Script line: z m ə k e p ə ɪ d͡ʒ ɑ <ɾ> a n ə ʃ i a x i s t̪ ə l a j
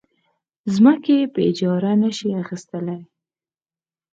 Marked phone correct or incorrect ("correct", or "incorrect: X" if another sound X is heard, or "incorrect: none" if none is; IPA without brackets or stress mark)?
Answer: correct